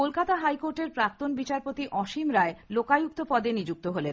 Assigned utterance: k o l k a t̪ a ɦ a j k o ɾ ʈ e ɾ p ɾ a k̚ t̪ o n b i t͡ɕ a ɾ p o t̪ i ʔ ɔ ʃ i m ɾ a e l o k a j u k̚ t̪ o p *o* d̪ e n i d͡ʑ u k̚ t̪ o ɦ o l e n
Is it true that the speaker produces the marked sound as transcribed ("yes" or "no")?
no